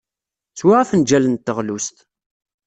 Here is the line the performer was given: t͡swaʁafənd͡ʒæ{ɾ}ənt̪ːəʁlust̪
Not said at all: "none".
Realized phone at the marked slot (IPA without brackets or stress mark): l